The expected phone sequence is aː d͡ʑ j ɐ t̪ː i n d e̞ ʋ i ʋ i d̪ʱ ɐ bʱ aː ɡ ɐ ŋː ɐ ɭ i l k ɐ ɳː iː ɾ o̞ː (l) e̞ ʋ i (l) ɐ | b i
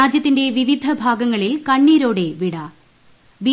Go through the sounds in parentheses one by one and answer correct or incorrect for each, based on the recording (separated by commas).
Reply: incorrect, incorrect